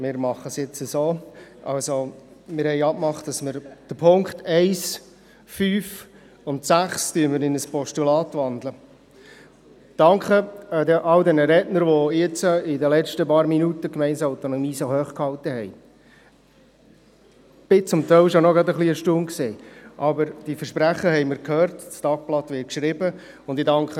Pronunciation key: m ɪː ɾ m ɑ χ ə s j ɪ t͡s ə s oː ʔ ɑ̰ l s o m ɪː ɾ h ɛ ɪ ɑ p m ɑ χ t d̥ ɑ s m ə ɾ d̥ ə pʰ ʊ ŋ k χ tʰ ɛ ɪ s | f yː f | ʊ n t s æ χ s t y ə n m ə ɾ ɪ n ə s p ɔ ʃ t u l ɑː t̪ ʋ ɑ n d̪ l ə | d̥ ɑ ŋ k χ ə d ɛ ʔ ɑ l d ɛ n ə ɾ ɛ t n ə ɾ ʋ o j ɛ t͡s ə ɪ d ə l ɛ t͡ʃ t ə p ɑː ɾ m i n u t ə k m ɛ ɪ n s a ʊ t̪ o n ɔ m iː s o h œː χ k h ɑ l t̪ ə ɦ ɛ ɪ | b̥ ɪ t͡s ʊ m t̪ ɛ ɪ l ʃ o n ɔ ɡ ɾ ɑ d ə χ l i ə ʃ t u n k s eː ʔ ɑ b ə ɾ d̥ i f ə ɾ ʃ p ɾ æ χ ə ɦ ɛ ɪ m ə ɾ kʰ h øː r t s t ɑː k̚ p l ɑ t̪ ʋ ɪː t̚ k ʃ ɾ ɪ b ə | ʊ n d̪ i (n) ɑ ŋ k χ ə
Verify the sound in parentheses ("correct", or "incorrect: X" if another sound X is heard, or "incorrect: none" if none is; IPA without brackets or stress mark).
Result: incorrect: d